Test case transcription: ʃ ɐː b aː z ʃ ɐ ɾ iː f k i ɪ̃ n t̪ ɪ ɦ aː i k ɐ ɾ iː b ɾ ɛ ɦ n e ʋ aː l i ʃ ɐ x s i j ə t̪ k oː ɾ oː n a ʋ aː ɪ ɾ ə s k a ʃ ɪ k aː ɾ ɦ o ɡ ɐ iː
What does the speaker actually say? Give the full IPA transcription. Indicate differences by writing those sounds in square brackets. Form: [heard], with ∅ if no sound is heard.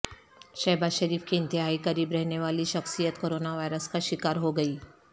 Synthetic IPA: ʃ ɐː b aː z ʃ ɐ ɾ iː f k i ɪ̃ n t̪ ɪ ɦ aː i k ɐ ɾ iː b ɾ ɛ ɦ n e ʋ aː l i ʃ ɐ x s i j ə t̪ k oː ɾ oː n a ʋ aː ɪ ɾ ə s k a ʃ ɪ k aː ɾ ɦ o ɡ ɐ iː